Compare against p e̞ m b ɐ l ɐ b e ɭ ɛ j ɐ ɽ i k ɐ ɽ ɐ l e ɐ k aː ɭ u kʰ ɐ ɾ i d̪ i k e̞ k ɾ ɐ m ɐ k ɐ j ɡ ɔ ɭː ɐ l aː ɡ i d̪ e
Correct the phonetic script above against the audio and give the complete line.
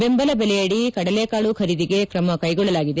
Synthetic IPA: b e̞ m b ɐ l ɐ b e l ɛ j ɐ ɽ i k ɐ ɽ ɐ l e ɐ k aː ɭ u kʰ ɐ ɾ i d̪ i ɡ e̞ k ɾ ɐ m ɐ k ɐ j ɡ ɔ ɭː ɐ l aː ɡ i d̪ e